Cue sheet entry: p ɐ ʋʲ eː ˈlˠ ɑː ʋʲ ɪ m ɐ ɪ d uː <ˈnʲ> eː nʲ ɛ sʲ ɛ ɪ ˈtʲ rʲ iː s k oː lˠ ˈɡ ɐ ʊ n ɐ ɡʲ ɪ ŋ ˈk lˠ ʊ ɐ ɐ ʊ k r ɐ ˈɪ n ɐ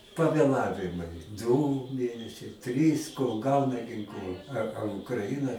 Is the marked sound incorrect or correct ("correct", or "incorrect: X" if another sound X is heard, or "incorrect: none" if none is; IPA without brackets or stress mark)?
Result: incorrect: mʲ